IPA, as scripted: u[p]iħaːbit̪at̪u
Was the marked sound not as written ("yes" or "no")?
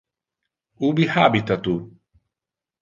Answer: yes